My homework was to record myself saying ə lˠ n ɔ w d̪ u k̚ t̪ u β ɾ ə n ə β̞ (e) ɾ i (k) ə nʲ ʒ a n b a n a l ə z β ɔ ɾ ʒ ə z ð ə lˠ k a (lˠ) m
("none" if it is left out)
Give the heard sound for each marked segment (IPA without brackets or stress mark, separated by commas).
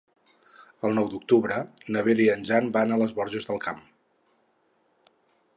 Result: e, none, none